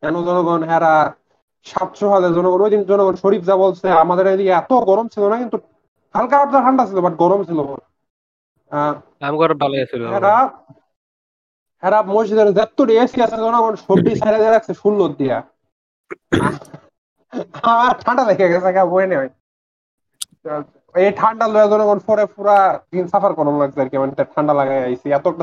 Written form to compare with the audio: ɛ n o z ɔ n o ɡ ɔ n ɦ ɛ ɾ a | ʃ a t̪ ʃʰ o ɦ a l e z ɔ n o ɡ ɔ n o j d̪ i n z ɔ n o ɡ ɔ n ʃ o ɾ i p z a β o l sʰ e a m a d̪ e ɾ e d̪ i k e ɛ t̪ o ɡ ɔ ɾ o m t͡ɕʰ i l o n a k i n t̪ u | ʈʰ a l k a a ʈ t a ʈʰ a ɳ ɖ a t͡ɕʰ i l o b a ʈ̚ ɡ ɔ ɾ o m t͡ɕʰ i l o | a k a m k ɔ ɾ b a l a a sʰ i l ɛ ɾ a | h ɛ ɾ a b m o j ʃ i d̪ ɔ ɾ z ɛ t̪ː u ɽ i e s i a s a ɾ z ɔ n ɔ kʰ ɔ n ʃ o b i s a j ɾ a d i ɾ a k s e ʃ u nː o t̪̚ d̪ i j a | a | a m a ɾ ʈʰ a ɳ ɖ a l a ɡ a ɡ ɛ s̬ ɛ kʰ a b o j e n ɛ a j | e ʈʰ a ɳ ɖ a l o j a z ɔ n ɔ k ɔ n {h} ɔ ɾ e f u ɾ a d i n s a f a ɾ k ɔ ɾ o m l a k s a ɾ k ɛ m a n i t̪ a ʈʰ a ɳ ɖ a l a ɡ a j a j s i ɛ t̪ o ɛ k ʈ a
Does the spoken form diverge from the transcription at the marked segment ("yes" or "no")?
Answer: yes